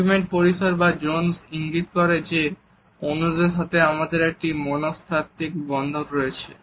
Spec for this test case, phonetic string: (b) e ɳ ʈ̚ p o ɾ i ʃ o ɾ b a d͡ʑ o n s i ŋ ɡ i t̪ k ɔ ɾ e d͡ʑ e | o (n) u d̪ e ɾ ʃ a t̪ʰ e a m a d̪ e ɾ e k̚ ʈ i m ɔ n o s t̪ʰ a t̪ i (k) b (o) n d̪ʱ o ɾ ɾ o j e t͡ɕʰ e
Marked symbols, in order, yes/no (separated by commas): no, yes, yes, no